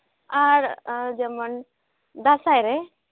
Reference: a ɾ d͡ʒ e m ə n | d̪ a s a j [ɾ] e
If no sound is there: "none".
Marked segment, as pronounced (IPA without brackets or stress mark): ɾ